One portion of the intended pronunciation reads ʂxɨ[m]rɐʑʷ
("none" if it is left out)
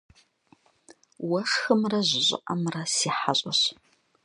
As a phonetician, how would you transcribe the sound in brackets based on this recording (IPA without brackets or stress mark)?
m